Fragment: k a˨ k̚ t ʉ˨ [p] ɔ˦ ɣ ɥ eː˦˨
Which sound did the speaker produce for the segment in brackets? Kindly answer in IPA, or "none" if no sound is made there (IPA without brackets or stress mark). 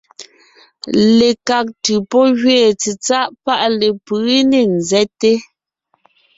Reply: p